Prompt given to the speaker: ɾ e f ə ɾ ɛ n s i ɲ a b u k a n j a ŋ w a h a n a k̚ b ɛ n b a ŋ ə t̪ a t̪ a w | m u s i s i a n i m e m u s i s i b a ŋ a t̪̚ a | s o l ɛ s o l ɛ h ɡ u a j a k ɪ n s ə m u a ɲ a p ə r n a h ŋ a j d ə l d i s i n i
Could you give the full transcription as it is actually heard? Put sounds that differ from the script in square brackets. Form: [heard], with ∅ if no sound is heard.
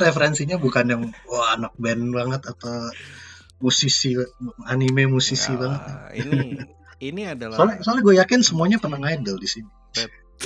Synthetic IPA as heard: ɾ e f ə ɾ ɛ n s i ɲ a b u k a n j a ŋ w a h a n a k̚ b ɛ n b a ŋ ə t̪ a t̪ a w | m u s i s i a n i m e m u s i s i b a ŋ [ə] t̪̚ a | s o l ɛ s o l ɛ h ɡ u a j a k ɪ n s ə m u a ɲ a p ə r n a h ŋ a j d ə l d i s i n i